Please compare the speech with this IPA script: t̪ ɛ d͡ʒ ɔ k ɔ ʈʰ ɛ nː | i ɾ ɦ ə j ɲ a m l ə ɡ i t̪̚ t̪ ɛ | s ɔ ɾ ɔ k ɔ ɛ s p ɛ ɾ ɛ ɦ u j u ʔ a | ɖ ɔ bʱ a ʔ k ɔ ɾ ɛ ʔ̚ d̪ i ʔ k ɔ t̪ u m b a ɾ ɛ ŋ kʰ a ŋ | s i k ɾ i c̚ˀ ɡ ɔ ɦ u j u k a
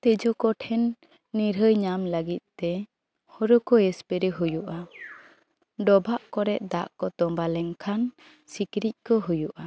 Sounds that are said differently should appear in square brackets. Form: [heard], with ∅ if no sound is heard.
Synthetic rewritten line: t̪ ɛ d͡ʒ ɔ k ɔ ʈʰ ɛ nː | i ɾ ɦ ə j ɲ a m l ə ɡ i t̪̚ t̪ ɛ | [h] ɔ ɾ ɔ k ɔ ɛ s p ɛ ɾ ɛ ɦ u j u ʔ a | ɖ ɔ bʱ a ʔ k ɔ ɾ ɛ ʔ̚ d̪ [a] ʔ k ɔ t̪ [ɔ] m b a [l] ɛ ŋ kʰ a [n] | s i k ɾ i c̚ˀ [k] ɔ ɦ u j u [ʔ] a